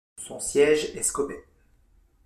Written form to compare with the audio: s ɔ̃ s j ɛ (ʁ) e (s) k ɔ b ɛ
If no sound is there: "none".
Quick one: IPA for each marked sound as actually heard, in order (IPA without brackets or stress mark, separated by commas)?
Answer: ʒ, s